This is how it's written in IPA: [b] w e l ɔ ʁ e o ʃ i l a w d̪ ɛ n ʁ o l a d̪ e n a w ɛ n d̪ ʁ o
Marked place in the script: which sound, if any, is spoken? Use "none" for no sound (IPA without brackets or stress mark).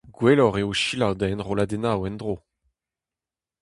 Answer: ɡ